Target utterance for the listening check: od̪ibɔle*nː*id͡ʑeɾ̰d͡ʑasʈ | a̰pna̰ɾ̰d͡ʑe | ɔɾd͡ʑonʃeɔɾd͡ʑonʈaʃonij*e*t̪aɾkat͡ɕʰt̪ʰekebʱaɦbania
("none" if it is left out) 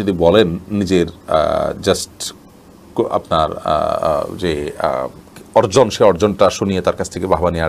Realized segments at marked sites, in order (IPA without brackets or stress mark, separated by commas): nː, e